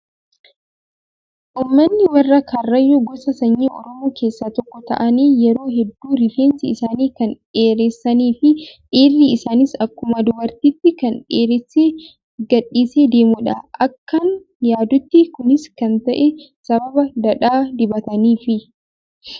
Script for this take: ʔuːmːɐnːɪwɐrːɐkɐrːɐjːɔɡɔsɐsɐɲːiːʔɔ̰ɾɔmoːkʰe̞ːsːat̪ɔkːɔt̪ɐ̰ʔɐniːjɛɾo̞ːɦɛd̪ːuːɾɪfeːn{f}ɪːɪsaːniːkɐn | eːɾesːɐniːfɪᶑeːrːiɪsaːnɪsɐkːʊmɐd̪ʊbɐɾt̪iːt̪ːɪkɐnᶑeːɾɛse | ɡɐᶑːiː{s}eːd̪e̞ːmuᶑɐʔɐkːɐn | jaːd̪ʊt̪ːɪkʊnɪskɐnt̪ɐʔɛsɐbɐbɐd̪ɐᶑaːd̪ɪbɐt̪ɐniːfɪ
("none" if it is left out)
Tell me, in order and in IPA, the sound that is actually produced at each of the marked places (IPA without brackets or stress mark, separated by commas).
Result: s, s